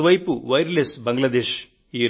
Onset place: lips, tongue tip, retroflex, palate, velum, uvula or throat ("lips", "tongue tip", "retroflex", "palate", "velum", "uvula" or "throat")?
lips